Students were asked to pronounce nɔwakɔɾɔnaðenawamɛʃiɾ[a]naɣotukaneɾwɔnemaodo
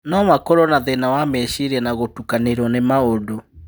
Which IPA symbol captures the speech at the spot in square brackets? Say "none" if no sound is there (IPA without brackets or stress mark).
ɛ